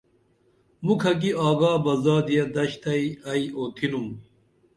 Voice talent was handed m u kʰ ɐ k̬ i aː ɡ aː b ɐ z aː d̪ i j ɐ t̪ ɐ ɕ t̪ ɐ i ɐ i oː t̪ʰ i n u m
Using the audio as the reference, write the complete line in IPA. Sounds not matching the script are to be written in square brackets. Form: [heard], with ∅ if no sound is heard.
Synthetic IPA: m u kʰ ɐ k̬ i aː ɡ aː b ɐ z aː d̪ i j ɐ [d̪] ɐ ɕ t̪ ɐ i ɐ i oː t̪ʰ i n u m